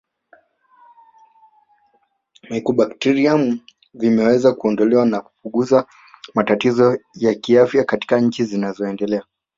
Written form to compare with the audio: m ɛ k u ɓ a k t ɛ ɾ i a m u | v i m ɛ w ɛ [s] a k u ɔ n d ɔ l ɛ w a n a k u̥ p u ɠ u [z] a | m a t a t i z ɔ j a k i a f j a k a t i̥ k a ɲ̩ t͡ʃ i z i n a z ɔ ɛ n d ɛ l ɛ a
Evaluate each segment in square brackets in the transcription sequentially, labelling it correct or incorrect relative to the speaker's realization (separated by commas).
incorrect, correct